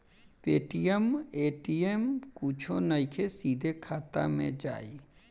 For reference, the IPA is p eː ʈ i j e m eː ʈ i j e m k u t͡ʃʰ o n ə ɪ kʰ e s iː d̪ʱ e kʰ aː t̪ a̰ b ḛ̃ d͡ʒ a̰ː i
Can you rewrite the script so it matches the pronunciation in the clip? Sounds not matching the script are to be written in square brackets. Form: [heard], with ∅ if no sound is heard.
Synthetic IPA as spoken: p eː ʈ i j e m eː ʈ i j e m k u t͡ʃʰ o n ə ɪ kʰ e s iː d̪ʱ e kʰ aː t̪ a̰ [m] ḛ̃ d͡ʒ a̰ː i